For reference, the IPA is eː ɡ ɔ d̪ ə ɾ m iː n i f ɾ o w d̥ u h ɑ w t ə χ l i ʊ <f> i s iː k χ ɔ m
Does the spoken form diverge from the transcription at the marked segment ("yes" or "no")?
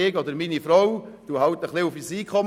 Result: no